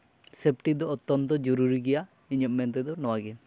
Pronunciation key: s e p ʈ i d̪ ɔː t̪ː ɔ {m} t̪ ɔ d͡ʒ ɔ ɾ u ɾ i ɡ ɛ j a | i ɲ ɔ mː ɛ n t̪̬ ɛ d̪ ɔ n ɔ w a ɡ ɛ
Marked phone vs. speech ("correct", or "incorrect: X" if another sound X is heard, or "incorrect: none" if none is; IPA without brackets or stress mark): incorrect: n